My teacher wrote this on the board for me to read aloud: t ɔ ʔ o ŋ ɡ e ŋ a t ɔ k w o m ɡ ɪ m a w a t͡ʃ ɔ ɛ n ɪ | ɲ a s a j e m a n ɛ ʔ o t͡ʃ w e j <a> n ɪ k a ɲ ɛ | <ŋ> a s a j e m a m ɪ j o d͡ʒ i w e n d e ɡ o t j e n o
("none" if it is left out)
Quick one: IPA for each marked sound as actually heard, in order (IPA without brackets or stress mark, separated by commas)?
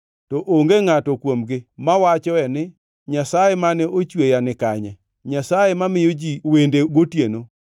a, ɲ